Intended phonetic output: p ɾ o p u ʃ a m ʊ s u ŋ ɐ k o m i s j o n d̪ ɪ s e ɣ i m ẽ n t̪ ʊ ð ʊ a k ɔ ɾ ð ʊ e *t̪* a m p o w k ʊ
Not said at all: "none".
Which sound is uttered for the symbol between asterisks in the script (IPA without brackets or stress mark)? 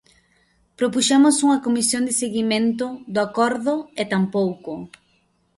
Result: t̪